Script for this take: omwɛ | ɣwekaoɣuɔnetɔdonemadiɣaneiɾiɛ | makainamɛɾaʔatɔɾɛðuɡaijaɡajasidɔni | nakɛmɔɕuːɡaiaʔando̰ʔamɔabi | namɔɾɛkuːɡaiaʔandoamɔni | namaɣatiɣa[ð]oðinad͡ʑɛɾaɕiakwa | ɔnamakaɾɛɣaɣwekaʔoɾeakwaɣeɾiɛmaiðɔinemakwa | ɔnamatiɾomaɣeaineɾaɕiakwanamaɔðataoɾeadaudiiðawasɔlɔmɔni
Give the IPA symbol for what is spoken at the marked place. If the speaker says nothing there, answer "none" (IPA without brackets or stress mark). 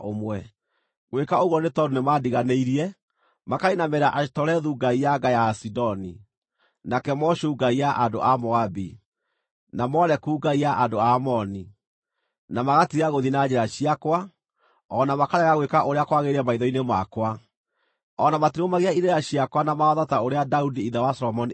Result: ɣ